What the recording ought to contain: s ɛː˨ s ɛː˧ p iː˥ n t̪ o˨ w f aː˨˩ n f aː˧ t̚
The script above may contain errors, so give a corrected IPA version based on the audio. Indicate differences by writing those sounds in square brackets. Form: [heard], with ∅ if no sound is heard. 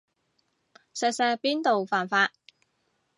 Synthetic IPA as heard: s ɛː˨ s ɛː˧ p iː˥ n t̪ o˨ w f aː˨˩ n f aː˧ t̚

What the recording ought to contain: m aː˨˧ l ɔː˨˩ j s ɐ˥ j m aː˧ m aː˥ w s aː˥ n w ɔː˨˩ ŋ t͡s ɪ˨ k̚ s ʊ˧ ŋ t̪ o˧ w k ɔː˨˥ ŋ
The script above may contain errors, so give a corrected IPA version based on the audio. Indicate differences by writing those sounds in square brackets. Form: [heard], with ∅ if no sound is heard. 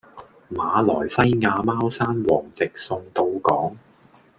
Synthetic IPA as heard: m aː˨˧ l ɔː˨˩ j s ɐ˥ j [ŋ] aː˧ m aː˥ w s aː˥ n w ɔː˨˩ ŋ t͡s ɪ˨ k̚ s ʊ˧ ŋ t̪ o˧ w k ɔː˨˥ ŋ

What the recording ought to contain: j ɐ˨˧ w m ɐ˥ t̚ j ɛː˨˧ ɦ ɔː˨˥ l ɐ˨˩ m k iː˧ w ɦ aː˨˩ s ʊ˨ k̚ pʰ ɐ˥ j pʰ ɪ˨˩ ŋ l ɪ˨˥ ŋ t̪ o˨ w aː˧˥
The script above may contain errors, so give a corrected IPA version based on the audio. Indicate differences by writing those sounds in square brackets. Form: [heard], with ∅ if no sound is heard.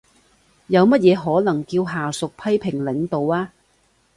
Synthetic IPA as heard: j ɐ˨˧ w m ɐ˥ t̚ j ɛː˨˧ ɦ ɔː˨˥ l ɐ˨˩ [ŋ] k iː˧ w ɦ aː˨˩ s ʊ˨ k̚ pʰ ɐ˥ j pʰ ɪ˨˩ ŋ l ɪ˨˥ ŋ t̪ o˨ w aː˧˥

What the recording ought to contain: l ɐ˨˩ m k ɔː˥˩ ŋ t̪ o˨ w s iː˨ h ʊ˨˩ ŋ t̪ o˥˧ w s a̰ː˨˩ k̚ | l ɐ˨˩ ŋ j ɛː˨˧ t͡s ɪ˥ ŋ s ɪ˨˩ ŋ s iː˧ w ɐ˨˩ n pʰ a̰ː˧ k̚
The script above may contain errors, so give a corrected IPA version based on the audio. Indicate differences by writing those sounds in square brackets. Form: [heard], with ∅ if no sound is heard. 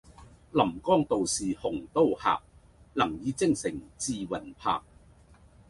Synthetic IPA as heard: l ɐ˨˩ m k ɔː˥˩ ŋ t̪ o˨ w s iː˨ h ʊ˨˩ ŋ t̪ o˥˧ w [h] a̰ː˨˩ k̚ | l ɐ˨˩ ŋ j [iː˨˧] t͡s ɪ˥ ŋ s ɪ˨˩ ŋ [t͡s] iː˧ w ɐ˨˩ n pʰ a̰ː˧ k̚

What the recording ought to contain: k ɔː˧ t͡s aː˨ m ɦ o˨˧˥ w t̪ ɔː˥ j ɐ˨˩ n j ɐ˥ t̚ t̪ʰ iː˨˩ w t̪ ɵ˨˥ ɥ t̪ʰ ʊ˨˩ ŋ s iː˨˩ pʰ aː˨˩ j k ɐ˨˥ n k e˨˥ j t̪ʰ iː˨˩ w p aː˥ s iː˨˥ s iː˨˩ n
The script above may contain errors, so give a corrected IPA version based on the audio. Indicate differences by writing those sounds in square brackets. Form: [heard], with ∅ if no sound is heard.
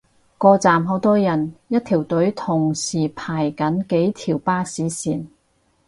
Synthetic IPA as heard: k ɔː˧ t͡s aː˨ m ɦ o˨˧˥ w t̪ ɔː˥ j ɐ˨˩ n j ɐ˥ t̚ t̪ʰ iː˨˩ w t̪ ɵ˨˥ ɥ t̪ʰ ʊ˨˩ ŋ s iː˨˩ pʰ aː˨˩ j k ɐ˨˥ n k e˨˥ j t̪ʰ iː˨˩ w p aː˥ s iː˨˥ s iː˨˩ n

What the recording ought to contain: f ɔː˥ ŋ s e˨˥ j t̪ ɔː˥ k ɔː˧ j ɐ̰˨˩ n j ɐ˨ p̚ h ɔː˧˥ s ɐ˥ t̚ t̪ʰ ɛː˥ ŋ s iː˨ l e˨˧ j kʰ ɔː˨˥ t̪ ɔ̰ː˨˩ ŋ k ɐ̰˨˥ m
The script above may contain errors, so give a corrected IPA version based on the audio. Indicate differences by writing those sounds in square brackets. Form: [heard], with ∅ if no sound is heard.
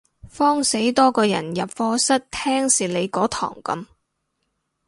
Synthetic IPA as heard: f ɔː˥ ŋ s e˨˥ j t̪ ɔː˥ k ɔː˧ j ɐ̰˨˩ n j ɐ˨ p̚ [f] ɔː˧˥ s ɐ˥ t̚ t̪ʰ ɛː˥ ŋ s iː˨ l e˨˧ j [k] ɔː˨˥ [t̪ʰ] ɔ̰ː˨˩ ŋ k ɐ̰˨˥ m

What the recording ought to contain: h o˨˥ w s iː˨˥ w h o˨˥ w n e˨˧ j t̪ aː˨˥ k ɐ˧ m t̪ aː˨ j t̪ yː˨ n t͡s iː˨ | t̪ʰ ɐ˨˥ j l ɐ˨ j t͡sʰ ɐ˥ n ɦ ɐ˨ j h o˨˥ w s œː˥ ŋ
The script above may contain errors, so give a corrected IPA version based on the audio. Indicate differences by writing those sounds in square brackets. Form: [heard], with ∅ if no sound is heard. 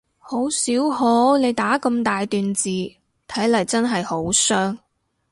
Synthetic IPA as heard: h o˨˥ w s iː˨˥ w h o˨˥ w n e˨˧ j t̪ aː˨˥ k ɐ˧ m t̪ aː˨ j t̪ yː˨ n t͡s iː˨ | t̪ʰ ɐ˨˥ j l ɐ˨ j [t͡s] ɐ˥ n ɦ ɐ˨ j h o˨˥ w s œː˥ ŋ

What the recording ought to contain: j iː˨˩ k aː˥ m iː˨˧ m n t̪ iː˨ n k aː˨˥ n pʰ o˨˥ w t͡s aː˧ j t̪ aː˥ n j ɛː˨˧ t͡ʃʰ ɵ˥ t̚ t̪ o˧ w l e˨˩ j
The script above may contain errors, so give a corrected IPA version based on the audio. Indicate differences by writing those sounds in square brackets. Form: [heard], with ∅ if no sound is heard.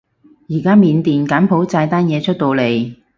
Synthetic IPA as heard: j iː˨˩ k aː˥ m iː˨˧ [∅] n t̪ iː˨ n k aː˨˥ n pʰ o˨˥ w t͡s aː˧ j t̪ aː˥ n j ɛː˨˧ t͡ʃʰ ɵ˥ t̚ t̪ o˧ w l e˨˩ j

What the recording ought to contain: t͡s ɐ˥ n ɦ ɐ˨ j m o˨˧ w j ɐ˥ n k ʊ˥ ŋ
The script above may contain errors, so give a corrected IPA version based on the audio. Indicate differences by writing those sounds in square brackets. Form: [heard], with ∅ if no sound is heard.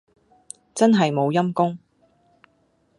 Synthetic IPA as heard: t͡s ɐ˥ n ɦ ɐ˨ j m o˨˧ w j ɐ˥ [m] k ʊ˥ ŋ

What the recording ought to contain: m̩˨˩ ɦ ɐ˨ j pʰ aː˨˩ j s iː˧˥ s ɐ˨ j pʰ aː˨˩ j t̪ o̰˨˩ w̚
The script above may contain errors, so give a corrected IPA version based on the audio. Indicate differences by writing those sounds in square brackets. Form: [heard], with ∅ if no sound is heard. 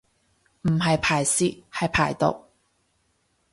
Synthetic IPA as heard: m̩˨˩ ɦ ɐ˨ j pʰ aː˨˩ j s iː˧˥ [h] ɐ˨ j pʰ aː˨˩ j t̪ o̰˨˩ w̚

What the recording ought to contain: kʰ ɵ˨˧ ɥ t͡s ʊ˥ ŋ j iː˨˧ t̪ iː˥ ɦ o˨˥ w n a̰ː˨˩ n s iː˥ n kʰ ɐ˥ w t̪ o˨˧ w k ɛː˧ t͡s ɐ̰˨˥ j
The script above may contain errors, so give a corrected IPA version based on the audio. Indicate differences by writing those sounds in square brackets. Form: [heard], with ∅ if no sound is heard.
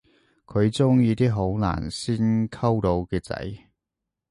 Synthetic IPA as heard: kʰ ɵ˨˧ ɥ t͡s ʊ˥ ŋ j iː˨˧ t̪ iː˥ ɦ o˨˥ w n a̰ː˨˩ n s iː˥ n kʰ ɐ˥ w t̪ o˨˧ w k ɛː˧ t͡s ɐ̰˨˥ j

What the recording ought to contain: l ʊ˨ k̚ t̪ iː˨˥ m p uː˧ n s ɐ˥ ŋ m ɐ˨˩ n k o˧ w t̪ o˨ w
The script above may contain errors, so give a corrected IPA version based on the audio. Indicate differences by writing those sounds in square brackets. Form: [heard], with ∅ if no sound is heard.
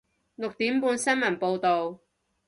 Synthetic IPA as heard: l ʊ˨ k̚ t̪ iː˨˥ m p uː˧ n s ɐ˥ [n] m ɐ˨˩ n [p] o˧ w t̪ o˨ w

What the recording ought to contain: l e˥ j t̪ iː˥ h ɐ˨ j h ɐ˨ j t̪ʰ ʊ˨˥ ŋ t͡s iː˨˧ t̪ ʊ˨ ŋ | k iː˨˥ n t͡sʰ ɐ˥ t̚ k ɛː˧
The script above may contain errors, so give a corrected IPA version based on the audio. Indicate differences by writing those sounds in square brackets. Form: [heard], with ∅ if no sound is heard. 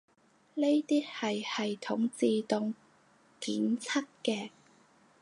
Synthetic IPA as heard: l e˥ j t̪ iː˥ h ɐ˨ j h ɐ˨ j t̪ʰ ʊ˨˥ ŋ t͡s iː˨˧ t̪ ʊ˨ ŋ | k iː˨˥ n t͡sʰ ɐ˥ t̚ k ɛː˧

